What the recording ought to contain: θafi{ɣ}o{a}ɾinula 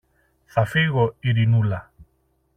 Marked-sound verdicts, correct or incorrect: correct, incorrect: i

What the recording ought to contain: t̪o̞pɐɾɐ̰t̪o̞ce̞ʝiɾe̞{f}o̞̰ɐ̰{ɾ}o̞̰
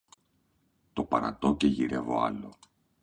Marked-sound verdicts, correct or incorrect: incorrect: v, incorrect: l

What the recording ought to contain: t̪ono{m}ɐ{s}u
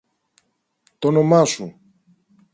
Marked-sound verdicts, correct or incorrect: correct, correct

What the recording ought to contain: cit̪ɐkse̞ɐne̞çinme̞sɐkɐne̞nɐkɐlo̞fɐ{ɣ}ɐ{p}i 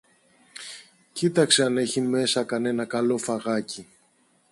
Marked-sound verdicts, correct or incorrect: correct, incorrect: c

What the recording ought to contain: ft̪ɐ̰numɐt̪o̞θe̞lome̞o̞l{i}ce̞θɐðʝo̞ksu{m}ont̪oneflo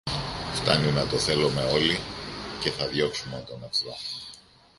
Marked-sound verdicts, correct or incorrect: correct, correct

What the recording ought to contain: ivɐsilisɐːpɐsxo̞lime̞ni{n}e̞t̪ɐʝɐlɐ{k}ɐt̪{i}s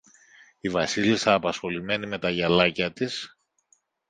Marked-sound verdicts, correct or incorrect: incorrect: m, incorrect: c, correct

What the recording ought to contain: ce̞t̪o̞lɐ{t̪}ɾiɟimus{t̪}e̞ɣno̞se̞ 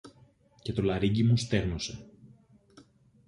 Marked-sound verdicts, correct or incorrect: incorrect: none, correct

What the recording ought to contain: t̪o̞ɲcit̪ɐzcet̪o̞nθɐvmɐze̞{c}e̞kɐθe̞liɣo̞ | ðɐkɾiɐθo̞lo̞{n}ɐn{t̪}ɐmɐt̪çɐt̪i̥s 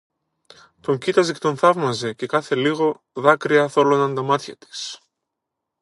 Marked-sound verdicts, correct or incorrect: correct, correct, incorrect: d̪

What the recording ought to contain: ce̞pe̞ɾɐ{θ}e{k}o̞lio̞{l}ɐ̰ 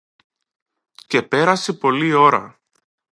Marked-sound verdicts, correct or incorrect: incorrect: s, incorrect: p, incorrect: ɾ

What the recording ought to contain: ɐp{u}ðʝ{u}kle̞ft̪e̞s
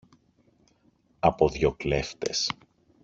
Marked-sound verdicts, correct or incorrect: incorrect: o, incorrect: o

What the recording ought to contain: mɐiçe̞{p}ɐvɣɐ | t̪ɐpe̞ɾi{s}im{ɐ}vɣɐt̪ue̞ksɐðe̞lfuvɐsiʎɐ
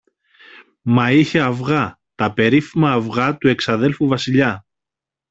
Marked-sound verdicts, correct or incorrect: incorrect: none, incorrect: f, incorrect: ɐː

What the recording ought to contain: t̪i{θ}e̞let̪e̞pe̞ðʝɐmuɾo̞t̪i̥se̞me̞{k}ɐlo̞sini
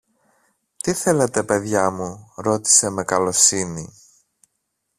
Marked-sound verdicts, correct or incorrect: correct, correct

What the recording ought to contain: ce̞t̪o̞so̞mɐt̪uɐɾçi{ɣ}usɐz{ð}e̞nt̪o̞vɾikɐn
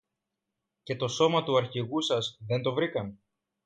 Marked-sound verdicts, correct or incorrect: correct, correct

